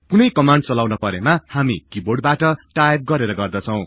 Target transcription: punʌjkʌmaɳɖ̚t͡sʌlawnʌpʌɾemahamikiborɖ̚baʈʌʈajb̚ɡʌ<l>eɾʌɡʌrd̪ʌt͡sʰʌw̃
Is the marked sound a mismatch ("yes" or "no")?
yes